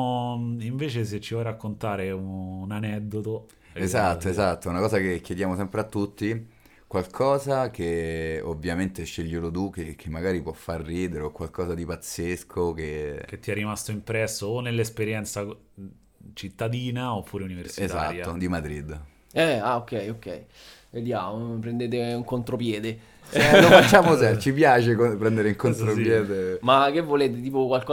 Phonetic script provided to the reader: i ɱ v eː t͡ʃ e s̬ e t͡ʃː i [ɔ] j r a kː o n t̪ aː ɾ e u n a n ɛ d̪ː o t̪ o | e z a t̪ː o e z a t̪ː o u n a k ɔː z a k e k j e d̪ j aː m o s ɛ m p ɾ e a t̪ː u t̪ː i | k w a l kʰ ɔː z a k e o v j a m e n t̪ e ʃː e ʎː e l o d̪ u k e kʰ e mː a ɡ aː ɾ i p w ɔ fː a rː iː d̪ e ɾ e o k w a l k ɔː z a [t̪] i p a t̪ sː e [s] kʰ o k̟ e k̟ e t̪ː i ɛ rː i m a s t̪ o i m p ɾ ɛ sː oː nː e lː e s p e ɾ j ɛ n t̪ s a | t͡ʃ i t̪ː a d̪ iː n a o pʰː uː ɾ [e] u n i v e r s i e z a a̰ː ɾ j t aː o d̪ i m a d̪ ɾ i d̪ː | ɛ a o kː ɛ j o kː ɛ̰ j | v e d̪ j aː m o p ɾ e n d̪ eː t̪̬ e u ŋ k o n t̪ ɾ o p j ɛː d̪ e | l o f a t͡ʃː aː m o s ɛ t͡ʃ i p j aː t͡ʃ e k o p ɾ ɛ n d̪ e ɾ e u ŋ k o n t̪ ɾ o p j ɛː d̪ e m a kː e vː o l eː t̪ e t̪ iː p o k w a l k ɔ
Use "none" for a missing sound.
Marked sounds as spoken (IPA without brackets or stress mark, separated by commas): ɔ, d̪, s, e